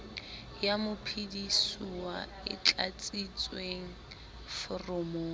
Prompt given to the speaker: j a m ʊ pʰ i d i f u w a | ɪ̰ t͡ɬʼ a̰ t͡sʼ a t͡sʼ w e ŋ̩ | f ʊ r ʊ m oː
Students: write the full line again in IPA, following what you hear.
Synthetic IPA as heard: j a m ʊ pʰ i d i s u w a | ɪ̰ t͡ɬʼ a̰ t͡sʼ i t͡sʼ w e ŋ̩ | f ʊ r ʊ m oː

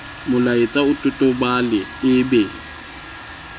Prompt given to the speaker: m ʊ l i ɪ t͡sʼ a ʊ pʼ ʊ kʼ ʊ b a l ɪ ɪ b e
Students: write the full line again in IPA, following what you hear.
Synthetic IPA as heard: m ʊ l a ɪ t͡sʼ a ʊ tʼ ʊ tʼ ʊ b a l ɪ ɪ b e

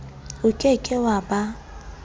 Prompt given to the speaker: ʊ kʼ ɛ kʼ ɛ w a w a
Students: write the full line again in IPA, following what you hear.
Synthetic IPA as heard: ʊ kʼ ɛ kʼ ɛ w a b a

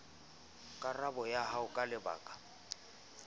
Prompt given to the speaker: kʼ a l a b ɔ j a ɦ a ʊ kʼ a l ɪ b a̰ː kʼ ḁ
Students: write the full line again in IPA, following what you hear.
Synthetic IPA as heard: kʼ a r a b ɔ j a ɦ a ʊ kʼ a l ɪ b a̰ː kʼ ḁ

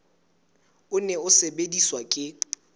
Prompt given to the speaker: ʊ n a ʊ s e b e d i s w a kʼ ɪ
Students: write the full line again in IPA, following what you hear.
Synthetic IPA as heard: ʊ n ɛ ʊ s e b e d i s w a kʼ ɪ

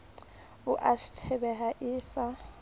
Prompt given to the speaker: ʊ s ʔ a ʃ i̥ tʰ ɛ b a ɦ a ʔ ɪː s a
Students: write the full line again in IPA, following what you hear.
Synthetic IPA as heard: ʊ ʔ a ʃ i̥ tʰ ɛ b ɛ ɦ a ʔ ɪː s a

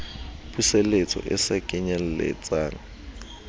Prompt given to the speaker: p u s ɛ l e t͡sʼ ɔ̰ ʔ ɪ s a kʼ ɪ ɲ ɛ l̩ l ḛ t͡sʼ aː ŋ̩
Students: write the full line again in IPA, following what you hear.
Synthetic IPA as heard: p u s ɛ l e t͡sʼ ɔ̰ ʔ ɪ s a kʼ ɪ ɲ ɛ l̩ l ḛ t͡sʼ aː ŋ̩

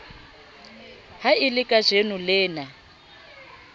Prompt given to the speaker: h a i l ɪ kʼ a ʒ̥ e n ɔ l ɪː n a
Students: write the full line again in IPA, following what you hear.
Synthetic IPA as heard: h a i l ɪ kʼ a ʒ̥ e n u l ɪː n a

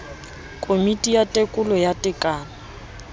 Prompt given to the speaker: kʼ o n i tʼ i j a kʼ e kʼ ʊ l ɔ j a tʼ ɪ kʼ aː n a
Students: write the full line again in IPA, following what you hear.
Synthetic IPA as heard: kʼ o m i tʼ i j a tʼ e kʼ ʊ l ɔ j a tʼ ɪ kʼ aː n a

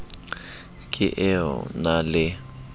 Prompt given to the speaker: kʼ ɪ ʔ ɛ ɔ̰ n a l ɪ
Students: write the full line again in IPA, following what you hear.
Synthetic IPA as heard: kʼ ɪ ʔ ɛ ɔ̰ n a l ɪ

